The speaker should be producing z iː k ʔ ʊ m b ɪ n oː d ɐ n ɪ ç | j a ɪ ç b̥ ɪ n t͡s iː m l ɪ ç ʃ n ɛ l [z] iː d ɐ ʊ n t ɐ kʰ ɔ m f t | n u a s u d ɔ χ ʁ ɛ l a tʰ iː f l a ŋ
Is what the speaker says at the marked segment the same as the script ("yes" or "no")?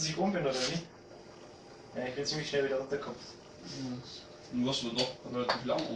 no